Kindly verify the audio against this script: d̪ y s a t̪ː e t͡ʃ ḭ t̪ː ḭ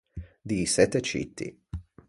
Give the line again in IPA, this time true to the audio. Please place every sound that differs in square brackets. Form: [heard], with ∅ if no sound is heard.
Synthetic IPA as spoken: d̪ [i] s [ɛ] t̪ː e t͡ʃ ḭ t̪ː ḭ